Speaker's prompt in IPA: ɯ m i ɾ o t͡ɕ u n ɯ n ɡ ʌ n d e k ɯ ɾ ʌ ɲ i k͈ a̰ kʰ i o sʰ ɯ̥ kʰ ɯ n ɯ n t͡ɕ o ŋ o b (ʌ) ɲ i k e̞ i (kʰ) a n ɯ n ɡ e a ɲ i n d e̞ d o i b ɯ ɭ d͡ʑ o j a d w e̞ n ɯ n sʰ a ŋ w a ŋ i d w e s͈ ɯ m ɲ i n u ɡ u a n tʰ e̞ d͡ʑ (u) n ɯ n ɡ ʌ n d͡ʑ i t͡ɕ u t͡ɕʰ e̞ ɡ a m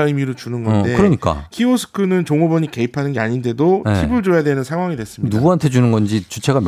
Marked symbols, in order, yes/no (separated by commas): yes, no, yes